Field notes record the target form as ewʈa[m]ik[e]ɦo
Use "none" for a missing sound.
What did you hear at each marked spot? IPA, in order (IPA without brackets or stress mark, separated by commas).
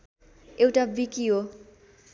b, i